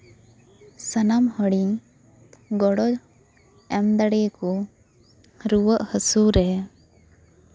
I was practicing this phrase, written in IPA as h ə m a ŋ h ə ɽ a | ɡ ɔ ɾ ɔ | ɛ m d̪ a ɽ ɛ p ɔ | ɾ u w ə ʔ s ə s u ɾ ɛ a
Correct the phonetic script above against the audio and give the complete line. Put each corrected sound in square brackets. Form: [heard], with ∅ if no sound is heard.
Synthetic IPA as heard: [s] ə [n] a [m] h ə ɽ [i] | ɡ ɔ [ɽ] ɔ | ɛ m d̪ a ɽ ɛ [k] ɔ | ɾ u w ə ʔ [h] ə s u ɾ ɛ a

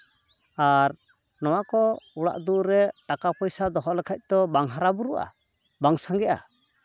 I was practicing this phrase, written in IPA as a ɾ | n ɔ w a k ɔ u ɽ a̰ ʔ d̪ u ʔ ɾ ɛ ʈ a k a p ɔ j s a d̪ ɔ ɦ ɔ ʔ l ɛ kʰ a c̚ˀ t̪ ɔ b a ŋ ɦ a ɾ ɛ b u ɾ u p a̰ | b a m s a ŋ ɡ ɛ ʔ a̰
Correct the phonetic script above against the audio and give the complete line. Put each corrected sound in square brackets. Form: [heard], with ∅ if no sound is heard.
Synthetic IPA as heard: a ɾ | n ɔ w a k ɔ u ɽ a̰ ʔ d̪ u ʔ ɾ ɛ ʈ a k a p ɔ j s a d̪ ɔ ɦ ɔ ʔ l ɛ kʰ a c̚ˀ t̪ ɔ b a ŋ ɦ a ɾ [a] b u ɾ u [ʔ] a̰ | b a [ŋ] s a ŋ ɡ ɛ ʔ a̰

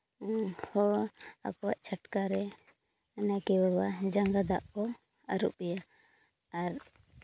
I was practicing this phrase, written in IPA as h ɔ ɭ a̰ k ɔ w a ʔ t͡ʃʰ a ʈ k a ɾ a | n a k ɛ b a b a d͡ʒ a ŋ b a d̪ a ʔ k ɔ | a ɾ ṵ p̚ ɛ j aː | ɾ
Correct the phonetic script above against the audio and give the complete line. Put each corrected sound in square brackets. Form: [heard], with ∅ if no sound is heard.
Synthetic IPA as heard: h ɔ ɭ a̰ k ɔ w a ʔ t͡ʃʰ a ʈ k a ɾ [ɛ] | n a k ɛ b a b a d͡ʒ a ŋ [ɡ] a d̪ a ʔ k ɔ | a ɾ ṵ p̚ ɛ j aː | ɾ

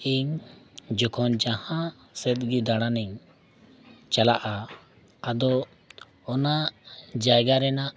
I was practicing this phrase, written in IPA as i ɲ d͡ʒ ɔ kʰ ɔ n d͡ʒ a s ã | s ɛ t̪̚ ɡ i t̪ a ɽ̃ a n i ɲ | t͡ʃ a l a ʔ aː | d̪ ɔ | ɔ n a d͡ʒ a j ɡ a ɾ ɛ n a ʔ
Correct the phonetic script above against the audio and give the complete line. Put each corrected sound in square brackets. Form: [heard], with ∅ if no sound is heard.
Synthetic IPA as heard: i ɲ d͡ʒ ɔ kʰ ɔ n d͡ʒ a [h] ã | s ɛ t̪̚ ɡ i [d̪] a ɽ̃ a n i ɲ | t͡ʃ a l a ʔ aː | d̪ ɔ | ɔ n a d͡ʒ a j ɡ a ɾ ɛ n a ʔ

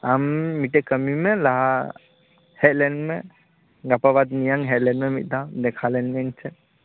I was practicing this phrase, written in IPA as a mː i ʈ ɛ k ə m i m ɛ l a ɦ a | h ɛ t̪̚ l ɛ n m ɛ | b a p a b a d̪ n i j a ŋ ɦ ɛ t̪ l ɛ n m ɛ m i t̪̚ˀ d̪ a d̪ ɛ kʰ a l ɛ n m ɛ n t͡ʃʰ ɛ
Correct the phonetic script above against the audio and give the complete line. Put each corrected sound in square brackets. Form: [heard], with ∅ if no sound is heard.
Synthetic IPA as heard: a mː i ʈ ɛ k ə m i m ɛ l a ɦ a | h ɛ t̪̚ l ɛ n m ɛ | [ɡ] a p a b a d̪ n i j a ŋ ɦ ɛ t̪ l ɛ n m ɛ m i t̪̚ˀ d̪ a d̪ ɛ kʰ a l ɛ n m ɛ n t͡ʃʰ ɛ

